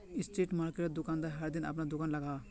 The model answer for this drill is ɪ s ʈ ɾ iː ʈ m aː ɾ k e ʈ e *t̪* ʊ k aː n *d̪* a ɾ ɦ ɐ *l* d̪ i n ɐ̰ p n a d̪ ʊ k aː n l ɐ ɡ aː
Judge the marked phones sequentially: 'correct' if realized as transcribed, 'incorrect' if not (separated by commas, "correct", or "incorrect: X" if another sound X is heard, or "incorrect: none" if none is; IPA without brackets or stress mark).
incorrect: d̪, correct, incorrect: ɾ